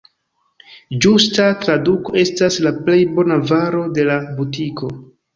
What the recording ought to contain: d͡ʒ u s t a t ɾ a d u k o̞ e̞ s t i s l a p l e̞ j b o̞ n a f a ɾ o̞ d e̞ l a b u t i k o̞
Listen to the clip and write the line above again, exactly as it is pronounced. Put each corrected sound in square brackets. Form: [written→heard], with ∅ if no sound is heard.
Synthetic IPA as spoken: d͡ʒ u s t a t ɾ a d u k o̞ e̞ s t [i→a] s l a p l e̞ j b o̞ n a [f→v] a ɾ o̞ d e̞ l a b u t i k o̞